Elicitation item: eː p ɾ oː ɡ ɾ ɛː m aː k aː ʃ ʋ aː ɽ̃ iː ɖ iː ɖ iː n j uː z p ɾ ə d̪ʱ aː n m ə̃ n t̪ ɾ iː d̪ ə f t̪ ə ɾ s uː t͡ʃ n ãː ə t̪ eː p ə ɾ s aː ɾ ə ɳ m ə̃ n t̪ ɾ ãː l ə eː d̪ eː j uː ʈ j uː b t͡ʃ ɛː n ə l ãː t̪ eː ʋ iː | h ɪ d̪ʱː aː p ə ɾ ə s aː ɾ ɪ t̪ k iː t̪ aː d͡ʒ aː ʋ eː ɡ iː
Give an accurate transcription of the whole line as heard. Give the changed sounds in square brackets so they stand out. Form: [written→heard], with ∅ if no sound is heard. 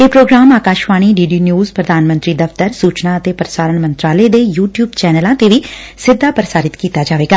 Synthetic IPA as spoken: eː p ɾ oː ɡ ɾ [ɛː→aː] m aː k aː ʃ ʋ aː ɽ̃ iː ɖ iː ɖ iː n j uː z p ɾ ə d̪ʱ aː n m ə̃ n t̪ ɾ iː d̪ ə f t̪ ə ɾ s uː t͡ʃ n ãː ə t̪ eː p ə ɾ s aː ɾ ə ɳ m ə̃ n t̪ ɾ [ãː→aː] l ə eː d̪ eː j uː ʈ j uː b t͡ʃ ɛː n ə l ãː t̪ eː ʋ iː | [h→s] ɪ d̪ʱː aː p ə ɾ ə s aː ɾ ɪ t̪ k iː t̪ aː d͡ʒ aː ʋ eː ɡ [iː→aː]